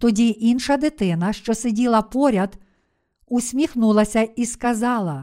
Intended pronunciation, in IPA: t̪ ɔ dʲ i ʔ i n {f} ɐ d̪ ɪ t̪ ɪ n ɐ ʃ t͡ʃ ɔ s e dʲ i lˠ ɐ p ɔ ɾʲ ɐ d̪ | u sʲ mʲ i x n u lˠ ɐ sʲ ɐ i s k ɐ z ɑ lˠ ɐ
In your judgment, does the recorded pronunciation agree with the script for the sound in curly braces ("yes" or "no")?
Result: no